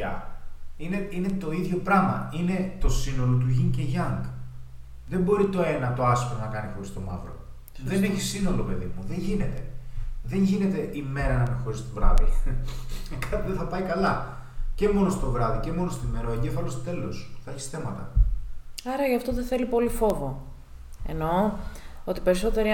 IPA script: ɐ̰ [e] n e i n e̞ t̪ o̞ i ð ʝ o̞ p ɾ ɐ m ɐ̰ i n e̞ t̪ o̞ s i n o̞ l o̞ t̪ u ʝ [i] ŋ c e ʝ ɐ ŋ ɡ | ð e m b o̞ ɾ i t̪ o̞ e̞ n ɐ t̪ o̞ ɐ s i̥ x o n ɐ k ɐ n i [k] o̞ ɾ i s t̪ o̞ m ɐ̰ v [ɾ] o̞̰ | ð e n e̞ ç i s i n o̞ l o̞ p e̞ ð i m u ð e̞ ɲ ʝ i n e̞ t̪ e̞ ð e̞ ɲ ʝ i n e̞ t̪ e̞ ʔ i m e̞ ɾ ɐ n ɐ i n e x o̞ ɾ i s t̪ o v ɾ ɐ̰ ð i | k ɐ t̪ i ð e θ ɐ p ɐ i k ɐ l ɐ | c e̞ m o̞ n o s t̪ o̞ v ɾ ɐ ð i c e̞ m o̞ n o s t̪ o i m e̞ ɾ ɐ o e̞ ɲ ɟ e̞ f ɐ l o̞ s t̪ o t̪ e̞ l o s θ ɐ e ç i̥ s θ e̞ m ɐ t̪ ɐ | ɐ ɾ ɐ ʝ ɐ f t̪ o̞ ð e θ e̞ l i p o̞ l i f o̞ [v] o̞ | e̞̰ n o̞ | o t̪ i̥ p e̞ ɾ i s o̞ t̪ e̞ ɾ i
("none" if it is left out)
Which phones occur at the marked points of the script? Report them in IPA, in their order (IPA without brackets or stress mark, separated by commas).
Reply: i, i, x, ɾ, v